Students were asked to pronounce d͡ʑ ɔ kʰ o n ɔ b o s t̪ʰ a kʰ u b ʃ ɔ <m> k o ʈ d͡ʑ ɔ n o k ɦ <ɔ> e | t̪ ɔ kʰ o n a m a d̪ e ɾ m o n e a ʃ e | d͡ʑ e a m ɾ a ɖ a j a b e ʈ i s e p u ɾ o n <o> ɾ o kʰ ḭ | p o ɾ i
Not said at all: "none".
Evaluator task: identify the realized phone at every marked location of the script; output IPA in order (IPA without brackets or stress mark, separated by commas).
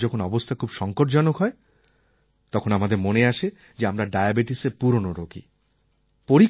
ŋ, ɔ, o